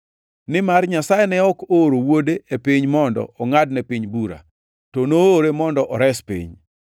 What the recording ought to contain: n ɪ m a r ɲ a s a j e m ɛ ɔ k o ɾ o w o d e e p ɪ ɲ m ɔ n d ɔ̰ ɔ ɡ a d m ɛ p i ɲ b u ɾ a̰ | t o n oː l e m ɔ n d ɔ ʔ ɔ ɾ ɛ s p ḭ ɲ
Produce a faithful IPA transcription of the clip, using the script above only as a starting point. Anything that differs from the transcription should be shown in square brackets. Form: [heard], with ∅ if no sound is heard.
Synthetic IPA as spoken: n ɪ m a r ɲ a s a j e [n] ɛ ɔ k o ɾ o w o d e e p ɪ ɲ m ɔ n d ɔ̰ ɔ [ŋ] a d [n] ɛ p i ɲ b u ɾ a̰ | t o n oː [ɾ] e m ɔ n d ɔ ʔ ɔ ɾ ɛ s p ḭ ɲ